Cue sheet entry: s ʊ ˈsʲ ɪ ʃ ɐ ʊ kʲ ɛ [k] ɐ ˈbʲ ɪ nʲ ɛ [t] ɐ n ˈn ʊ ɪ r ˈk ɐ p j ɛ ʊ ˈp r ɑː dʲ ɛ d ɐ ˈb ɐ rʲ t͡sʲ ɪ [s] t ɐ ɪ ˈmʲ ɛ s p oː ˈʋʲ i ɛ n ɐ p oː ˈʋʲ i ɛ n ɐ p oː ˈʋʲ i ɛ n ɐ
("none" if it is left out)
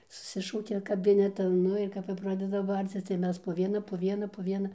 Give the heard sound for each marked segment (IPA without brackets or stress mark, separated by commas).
k, t, s